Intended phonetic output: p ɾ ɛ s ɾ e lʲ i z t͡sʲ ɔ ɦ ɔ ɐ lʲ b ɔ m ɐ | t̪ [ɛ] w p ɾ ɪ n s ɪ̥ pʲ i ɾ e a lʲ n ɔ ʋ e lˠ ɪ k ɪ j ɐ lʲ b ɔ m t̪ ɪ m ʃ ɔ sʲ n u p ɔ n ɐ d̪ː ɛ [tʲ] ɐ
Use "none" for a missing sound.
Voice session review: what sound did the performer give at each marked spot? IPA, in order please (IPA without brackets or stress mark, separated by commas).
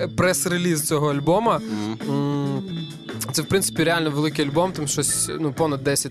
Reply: ɛ, sʲ